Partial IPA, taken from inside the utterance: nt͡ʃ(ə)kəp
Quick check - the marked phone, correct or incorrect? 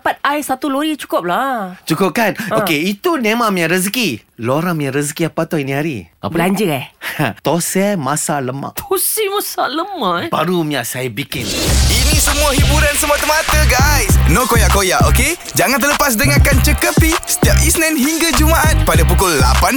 correct